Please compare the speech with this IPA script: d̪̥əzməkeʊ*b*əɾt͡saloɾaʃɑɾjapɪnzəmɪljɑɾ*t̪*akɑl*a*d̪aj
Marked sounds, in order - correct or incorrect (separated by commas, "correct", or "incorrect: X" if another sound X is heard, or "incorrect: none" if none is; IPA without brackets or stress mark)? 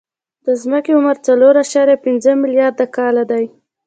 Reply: incorrect: m, incorrect: d̪, correct